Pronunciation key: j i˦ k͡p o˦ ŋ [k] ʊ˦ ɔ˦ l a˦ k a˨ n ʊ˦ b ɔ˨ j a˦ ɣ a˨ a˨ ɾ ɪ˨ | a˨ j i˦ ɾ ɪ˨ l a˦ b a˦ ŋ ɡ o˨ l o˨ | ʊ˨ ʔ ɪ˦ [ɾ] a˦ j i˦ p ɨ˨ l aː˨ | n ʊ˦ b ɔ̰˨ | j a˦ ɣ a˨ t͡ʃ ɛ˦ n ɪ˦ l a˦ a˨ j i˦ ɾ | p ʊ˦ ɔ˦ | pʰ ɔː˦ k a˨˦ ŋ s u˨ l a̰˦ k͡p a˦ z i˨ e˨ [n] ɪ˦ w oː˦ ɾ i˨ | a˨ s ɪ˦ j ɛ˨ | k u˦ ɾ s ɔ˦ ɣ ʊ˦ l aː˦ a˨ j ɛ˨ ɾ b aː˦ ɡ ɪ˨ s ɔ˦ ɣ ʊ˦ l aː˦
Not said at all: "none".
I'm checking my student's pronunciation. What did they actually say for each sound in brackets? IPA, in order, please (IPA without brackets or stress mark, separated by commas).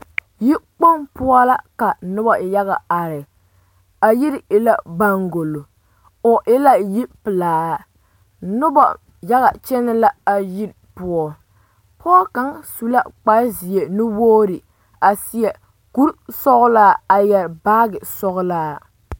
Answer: p, l, n